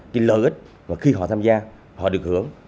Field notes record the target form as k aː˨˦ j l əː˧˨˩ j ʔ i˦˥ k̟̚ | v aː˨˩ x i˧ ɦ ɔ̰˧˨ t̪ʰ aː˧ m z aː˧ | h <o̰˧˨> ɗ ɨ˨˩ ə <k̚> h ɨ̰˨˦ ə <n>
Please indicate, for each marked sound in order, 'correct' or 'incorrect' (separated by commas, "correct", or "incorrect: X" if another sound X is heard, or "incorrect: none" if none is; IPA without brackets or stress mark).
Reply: incorrect: ɔ̰˧˨, correct, incorrect: ŋ